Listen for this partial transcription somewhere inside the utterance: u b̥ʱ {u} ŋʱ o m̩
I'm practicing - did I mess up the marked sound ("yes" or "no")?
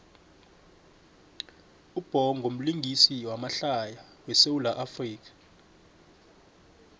yes